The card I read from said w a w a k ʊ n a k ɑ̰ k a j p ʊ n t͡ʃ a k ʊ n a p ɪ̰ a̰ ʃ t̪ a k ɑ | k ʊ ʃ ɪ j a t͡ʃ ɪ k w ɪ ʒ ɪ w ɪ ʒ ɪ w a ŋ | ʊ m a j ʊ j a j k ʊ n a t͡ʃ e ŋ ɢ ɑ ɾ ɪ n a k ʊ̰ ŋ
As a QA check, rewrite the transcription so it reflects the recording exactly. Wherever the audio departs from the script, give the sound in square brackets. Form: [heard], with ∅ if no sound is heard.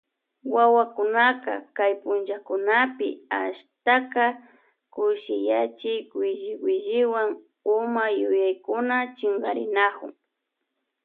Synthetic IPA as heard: w a w a k ʊ n a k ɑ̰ k a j p ʊ n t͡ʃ a k ʊ n a p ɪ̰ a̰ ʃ t̪ a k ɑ | k ʊ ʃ ɪ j a t͡ʃ ɪ k w ɪ ʒ ɪ w ɪ ʒ ɪ w a ŋ | ʊ m a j ʊ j a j k ʊ n a t͡ʃ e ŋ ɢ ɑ ɾ ɪ n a k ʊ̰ ŋ